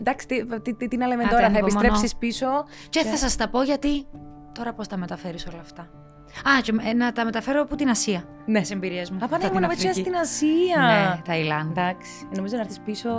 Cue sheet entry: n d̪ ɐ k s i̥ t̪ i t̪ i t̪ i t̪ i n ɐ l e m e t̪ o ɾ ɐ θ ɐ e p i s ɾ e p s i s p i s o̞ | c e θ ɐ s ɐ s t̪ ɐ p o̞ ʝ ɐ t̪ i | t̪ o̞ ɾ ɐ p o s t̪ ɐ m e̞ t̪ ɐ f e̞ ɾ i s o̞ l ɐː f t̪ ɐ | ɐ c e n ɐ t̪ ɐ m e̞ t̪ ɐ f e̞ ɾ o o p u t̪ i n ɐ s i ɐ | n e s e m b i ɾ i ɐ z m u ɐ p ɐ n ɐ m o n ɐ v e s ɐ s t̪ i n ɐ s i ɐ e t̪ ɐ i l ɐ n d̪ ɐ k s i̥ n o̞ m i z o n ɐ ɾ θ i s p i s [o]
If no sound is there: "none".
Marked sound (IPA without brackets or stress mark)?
o